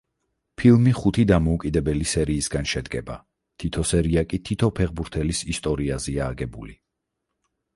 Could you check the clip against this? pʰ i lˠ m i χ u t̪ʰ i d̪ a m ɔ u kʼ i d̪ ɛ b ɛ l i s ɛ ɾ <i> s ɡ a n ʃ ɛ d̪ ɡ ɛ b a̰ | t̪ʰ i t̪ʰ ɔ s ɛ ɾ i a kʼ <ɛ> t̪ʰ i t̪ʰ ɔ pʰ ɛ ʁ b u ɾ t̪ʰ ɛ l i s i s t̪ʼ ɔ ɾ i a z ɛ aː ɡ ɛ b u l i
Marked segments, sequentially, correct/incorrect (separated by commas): incorrect, incorrect